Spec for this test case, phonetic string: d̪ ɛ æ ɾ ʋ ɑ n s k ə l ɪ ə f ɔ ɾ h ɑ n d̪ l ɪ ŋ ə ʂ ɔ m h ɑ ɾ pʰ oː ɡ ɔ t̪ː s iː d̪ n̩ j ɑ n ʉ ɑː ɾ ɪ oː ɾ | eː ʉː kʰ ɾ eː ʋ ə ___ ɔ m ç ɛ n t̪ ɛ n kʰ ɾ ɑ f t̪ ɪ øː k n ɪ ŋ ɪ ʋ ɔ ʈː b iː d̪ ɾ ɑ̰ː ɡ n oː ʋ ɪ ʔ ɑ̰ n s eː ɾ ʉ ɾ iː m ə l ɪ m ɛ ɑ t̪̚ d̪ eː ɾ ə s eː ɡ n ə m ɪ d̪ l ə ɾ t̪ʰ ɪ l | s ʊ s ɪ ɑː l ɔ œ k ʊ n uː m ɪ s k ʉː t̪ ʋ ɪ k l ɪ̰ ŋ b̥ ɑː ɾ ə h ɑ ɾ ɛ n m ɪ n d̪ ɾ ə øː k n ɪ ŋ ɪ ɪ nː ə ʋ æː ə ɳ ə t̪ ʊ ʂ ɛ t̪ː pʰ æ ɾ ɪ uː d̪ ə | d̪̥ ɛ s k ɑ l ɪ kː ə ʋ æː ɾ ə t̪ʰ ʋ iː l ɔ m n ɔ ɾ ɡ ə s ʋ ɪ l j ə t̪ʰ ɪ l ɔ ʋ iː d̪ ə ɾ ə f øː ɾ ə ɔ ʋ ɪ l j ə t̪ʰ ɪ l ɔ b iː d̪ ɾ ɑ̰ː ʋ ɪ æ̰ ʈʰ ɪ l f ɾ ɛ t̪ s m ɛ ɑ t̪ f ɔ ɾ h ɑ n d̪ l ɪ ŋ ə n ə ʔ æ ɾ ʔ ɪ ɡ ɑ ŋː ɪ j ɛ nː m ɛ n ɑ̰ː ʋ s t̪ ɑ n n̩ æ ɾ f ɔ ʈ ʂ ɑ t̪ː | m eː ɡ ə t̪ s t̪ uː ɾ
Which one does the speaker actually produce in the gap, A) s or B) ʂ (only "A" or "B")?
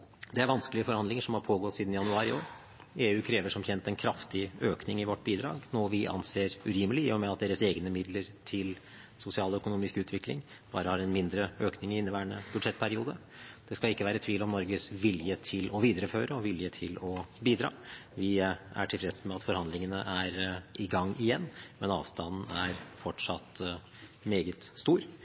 B